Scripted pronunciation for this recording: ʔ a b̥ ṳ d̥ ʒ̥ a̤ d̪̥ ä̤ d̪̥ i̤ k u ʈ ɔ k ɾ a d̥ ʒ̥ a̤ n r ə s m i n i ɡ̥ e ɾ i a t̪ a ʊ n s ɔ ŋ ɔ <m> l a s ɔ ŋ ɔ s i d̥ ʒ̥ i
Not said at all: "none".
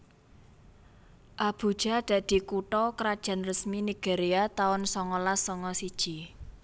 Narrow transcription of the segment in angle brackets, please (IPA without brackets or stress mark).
none